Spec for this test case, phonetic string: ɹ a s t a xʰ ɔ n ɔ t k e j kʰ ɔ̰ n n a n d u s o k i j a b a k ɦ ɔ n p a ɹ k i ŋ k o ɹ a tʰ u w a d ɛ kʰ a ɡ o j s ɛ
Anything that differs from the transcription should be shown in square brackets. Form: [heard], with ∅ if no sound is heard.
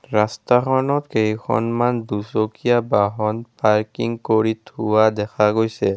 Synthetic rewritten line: ɹ a s t a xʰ ɔ n ɔ t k e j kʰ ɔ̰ n [m] a n d u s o k i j a b a [∅] ɦ ɔ n p a ɹ k i ŋ k o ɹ [i] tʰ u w a d ɛ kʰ a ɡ o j s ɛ